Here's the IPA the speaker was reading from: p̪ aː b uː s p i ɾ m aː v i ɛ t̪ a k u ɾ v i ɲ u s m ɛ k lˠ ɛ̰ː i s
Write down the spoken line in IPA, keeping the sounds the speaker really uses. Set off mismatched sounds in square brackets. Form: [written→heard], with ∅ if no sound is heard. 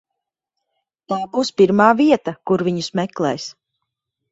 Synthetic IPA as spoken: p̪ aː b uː s p i ɾ m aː v i ɛ t̪ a k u ɾ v i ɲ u s m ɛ k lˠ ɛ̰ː [i→j] s